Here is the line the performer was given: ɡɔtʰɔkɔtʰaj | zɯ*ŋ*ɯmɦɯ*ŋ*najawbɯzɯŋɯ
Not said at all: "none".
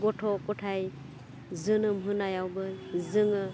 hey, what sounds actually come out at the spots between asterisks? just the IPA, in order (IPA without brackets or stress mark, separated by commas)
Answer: n, none